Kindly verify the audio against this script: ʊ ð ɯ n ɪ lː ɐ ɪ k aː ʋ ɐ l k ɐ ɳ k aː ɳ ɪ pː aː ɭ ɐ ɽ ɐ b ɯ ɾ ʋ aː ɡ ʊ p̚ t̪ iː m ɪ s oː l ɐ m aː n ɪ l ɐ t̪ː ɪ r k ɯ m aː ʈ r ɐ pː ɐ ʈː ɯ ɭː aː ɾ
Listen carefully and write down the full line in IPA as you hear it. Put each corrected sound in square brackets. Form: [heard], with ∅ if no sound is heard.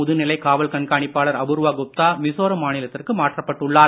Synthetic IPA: ʊ ð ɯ n ɪ [l] ɐ ɪ k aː ʋ ɐ l k ɐ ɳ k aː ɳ ɪ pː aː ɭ ɐ [ɾ] ɐ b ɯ ɾ ʋ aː ɡ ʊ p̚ t̪ [aː] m ɪ s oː [ɾ] ɐ m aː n ɪ l ɐ t̪ː ɪ r k ɯ m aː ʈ r ɐ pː ɐ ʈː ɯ ɭː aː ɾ

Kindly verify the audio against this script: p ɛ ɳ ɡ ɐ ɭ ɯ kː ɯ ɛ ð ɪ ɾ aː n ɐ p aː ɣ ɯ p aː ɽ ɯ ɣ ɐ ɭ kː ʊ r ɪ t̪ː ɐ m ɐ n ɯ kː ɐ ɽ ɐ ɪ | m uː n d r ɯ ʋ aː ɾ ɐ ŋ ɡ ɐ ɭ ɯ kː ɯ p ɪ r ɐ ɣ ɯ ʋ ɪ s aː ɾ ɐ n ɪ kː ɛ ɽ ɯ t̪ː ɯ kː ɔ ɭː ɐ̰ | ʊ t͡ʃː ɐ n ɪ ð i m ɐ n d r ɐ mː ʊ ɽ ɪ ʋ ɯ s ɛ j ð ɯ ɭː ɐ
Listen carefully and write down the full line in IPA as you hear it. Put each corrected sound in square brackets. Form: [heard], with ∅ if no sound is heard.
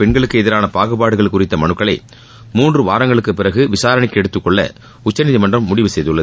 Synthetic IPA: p ɛ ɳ ɡ ɐ ɭ ɯ kː ɯ ɛ ð ɪ ɾ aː n ɐ p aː ɣ ɯ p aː ɽ ɯ ɣ ɐ ɭ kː ʊ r ɪ t̪ː ɐ m ɐ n ɯ kː ɐ [ɭ] ɐ ɪ | m uː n d r ɯ ʋ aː ɾ ɐ ŋ ɡ ɐ ɭ ɯ kː ɯ p ɪ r ɐ ɣ ɯ ʋ ɪ s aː ɾ ɐ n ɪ kː ɛ ɽ ɯ t̪ː ɯ kː ɔ ɭː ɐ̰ | ʊ t͡ʃː ɐ n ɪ ð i m ɐ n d r ɐ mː ʊ ɽ ɪ ʋ ɯ s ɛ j ð ɯ ɭː ɐ

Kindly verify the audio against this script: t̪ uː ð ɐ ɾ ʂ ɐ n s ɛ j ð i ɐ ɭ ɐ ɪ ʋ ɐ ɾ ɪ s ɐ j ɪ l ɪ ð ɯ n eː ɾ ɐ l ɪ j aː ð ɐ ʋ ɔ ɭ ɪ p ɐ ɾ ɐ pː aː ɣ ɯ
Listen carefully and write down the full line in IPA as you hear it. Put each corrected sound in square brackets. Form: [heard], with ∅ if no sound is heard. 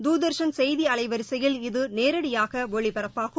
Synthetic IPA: [d̪] uː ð ɐ ɾ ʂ ɐ n s ɛ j ð i ɐ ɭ ɐ ɪ ʋ ɐ ɾ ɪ s ɐ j ɪ l ɪ ð ɯ n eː ɾ ɐ [ɽ] ɪ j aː [ɣ] ɐ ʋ ɔ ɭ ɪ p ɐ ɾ ɐ pː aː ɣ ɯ

